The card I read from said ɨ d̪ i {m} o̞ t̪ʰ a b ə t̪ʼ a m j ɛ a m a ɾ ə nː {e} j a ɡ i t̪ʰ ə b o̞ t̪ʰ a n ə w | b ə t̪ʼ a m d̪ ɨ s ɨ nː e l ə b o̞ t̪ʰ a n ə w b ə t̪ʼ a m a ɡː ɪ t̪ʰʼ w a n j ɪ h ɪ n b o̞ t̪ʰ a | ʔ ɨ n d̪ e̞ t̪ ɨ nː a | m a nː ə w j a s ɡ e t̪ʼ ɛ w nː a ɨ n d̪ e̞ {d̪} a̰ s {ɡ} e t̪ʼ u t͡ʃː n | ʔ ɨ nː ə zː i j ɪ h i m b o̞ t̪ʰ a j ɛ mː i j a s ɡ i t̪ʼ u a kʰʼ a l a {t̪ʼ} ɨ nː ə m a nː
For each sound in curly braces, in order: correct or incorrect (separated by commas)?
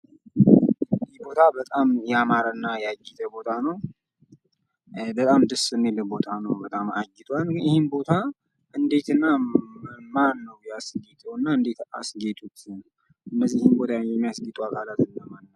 incorrect, incorrect, incorrect, correct, incorrect